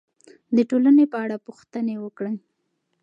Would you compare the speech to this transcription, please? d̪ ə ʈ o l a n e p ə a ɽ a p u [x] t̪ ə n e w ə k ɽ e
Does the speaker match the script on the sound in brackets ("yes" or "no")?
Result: yes